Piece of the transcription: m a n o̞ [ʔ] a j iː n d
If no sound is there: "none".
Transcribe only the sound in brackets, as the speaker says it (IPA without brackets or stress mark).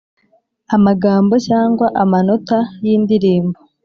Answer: t